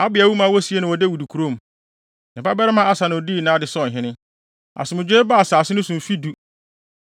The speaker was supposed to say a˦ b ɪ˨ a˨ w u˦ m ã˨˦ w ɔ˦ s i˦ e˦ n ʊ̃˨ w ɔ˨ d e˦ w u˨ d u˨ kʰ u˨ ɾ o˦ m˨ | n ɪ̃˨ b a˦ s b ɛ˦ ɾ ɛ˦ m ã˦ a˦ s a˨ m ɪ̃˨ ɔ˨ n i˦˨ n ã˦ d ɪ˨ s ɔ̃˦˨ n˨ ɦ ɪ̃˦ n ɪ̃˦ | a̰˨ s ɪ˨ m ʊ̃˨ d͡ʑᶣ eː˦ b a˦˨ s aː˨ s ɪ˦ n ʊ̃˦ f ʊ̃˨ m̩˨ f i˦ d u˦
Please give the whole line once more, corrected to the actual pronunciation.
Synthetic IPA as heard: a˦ b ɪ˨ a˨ w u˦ m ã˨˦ w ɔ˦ s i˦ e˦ n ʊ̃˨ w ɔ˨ d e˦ w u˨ d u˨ kʰ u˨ ɾ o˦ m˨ | n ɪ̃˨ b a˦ b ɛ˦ ɾ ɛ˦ m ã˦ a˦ s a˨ n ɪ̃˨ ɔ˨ d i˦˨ n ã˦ d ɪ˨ s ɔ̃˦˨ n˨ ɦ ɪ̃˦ n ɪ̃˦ | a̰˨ s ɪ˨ m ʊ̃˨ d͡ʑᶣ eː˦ b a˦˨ s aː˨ s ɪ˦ n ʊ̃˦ s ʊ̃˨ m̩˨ f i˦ d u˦